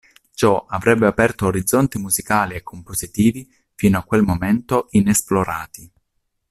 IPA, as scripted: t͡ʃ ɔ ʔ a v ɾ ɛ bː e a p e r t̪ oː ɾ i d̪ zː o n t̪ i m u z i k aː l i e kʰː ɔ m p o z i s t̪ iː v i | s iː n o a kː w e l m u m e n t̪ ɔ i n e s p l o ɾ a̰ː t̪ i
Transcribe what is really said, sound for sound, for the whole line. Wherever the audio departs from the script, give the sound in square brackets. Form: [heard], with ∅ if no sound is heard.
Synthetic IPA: t͡ʃ ɔ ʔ a v ɾ ɛ bː e a p [ɛ] r t̪ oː ɾ i d̪ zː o n t̪ i m u z i k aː l i e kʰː [o] m p o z i [∅] t̪ iː v i | [f] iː n o a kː w e l m [o] m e n t̪ [o] i n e s p l o ɾ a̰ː t̪ i